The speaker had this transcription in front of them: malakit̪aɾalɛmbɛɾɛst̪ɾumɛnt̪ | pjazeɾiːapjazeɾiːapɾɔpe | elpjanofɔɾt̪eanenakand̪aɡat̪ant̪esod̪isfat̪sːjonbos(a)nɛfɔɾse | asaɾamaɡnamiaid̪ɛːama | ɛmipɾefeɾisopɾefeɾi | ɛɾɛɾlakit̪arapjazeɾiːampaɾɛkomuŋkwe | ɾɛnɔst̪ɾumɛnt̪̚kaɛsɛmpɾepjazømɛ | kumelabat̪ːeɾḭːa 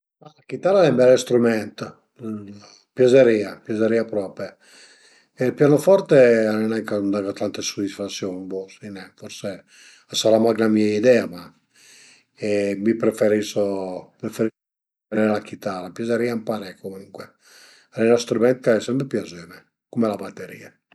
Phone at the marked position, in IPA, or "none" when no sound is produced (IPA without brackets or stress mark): i